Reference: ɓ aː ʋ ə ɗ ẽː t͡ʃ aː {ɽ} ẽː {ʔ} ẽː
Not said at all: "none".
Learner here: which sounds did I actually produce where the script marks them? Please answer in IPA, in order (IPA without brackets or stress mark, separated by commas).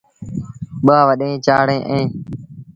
ɽ, ʔ